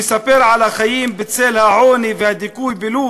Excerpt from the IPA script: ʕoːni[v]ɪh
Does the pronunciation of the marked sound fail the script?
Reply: no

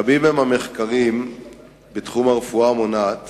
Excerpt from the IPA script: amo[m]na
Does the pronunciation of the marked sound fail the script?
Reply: yes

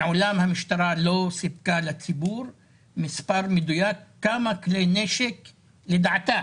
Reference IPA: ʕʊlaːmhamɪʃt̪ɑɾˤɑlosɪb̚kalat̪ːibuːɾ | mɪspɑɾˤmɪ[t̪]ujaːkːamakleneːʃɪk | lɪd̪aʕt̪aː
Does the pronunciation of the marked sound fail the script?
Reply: yes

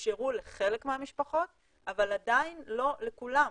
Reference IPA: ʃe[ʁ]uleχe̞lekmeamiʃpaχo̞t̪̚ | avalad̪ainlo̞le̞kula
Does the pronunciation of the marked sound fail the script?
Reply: no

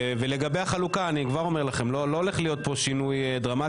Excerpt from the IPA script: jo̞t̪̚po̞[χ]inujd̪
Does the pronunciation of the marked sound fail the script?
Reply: yes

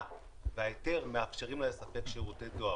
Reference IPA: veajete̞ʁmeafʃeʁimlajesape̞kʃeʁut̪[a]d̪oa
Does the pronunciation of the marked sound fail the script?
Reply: yes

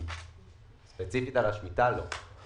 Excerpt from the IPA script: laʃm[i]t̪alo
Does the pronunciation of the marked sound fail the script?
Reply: no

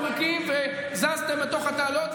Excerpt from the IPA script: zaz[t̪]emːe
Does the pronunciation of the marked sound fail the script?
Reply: no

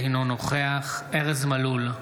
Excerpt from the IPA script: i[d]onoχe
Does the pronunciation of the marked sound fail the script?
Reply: yes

